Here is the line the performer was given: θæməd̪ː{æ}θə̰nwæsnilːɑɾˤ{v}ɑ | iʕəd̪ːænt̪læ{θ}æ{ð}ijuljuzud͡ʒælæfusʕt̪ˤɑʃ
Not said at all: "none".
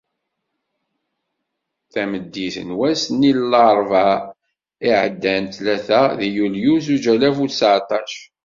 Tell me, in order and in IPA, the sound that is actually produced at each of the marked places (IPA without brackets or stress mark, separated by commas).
i, v, θ, ð